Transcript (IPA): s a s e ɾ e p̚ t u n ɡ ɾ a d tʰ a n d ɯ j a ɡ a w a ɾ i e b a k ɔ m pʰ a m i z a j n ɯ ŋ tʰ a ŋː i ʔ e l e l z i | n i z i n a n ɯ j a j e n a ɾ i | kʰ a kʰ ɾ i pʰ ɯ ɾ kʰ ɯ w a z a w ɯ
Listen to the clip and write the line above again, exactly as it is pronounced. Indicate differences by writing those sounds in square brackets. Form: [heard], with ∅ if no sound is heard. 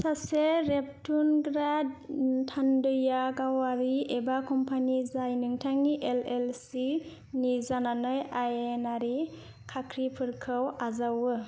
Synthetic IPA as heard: s a s e ɾ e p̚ t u n ɡ ɾ a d tʰ a n d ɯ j a ɡ a w a ɾ i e b a k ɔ m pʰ a [n] i z a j n ɯ ŋ tʰ a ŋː i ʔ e l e l [s] i | n i z [a] n a n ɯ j a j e n a ɾ i | kʰ a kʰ ɾ i pʰ ɯ ɾ kʰ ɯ w a z a w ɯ